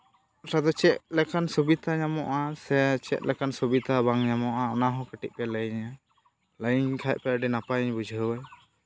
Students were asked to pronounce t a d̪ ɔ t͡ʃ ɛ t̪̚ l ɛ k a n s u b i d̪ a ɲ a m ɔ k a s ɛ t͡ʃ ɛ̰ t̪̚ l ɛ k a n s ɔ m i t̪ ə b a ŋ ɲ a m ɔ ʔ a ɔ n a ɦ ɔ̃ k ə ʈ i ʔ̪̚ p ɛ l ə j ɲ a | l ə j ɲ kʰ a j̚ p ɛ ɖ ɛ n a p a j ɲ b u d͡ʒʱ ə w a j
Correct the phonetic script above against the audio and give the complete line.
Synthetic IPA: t a d̪ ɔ t͡ʃ ɛ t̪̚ l ɛ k a n s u b i t̪ a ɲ a m ɔ ʔ a s ɛ t͡ʃ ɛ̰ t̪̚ l ɛ k a n s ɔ b i t̪ a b a ŋ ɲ a m ɔ ʔ a ɔ n a ɦ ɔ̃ k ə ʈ i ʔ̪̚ p ɛ l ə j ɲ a | l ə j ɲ kʰ a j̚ p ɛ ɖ ɛ n a p a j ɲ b u d͡ʒʱ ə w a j